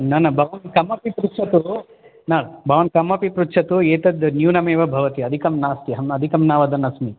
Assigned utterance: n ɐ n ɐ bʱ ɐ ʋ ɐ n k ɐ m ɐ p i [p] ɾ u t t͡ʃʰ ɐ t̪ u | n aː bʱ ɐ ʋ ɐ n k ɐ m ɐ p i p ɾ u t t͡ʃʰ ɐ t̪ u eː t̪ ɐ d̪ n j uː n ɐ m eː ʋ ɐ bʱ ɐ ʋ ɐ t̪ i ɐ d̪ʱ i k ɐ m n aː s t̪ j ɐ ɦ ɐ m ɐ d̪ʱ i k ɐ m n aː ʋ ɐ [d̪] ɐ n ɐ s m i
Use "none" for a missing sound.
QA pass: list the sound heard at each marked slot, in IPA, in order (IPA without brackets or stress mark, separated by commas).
p, d̪